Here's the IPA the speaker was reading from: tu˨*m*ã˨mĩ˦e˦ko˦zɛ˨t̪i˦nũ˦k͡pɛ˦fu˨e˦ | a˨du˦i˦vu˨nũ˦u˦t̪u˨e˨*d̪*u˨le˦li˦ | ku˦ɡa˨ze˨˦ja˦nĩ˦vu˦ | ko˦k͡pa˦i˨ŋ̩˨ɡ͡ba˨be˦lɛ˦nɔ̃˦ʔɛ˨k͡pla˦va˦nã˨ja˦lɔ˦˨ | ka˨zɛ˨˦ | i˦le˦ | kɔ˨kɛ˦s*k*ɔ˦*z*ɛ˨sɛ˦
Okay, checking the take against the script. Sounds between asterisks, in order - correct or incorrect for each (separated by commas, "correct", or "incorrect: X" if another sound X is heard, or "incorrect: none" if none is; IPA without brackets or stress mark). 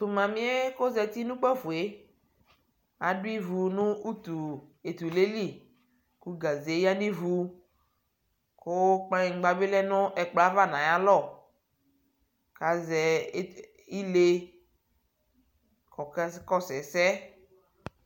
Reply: correct, incorrect: t̪, correct, incorrect: s